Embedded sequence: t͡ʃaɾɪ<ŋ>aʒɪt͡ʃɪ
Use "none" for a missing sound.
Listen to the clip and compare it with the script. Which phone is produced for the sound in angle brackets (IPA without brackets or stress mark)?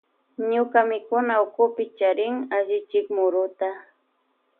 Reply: ŋ